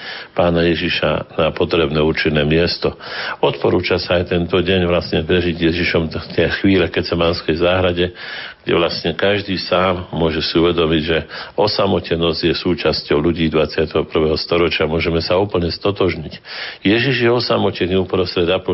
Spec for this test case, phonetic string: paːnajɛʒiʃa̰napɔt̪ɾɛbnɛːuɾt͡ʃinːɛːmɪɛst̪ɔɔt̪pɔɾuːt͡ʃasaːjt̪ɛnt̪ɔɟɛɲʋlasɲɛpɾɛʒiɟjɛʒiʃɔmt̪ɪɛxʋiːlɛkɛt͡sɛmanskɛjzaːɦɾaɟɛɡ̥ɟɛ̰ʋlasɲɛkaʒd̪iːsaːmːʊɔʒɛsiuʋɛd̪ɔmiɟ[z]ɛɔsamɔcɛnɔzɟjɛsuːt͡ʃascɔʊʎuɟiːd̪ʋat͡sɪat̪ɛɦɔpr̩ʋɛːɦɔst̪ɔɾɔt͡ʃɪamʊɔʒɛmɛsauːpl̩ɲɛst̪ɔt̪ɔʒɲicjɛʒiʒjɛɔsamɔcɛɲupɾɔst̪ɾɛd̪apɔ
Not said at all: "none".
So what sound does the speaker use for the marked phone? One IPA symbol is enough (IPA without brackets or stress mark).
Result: ʒ